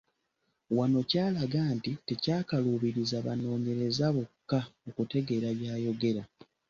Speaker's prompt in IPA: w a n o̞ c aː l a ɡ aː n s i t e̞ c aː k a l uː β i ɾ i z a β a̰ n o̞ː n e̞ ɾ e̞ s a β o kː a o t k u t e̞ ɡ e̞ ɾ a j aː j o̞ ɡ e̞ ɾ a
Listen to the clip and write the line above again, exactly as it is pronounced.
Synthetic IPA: w a n o̞ c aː l a ɡ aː n t i t e̞ c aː k a l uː β i ɾ i z a β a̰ n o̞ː ɲ e̞ ɾ e̞ z a β o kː a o k u t e̞ ɡ e̞ ɾ a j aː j o̞ ɡ e̞ ɾ a